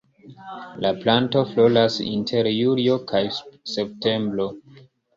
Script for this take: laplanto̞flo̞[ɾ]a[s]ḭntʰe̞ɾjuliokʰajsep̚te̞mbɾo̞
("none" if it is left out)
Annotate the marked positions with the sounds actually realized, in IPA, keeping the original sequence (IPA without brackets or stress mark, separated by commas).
l, s